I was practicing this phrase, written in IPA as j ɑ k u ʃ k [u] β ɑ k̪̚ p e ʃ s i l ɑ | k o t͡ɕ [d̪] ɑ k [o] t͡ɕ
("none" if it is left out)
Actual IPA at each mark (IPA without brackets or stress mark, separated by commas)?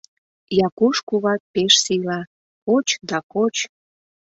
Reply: u, d̪, o